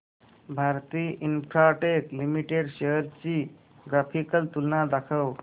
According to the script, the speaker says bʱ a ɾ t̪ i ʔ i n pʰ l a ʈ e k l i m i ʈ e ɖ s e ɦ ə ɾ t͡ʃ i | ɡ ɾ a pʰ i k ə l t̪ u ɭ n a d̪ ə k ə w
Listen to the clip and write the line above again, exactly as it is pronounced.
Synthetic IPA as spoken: bʱ a ɾ t̪ i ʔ i n pʰ ɾ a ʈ e k l i m i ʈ e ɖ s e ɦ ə ɾ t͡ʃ i | ɡ ɾ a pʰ i k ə l t̪ u l n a d̪ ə kʰ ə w